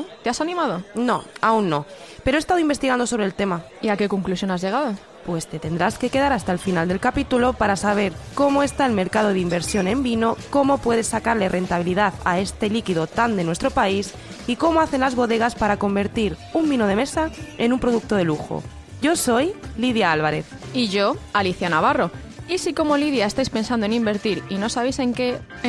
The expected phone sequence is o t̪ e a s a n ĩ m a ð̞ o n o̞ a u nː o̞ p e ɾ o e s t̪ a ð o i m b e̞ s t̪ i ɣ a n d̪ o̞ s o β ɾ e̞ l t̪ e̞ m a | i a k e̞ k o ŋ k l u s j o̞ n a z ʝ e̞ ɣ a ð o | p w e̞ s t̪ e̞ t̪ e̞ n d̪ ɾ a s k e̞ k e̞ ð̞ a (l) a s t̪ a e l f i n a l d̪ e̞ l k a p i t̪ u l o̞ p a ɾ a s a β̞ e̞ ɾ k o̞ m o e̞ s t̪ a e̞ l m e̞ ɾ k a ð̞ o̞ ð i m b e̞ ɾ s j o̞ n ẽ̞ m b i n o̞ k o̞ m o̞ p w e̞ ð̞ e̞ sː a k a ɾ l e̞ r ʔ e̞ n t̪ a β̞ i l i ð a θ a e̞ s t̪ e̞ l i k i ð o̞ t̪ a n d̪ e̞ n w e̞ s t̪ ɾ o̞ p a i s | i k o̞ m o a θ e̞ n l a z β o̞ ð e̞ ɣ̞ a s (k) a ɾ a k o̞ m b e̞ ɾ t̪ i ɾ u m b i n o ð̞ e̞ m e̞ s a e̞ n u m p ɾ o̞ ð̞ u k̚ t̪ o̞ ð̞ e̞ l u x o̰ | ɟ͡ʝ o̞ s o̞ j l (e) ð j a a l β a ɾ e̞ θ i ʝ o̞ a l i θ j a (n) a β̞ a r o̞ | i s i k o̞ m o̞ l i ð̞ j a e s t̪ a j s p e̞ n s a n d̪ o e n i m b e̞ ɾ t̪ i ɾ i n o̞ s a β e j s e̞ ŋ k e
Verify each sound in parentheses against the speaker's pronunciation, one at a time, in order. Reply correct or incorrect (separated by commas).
incorrect, incorrect, incorrect, correct